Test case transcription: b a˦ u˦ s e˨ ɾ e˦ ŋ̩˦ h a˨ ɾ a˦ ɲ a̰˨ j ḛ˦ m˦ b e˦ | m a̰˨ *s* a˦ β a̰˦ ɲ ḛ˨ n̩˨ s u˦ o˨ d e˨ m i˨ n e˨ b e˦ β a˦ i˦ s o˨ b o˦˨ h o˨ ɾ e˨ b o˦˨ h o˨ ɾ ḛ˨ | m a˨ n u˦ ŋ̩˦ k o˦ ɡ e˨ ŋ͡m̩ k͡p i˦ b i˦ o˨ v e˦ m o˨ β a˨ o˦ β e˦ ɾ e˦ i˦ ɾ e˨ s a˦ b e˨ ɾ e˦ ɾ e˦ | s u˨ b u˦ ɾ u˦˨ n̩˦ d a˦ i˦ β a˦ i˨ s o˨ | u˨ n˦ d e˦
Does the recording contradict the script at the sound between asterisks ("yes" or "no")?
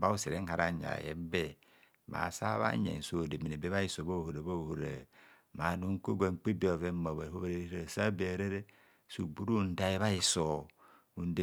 no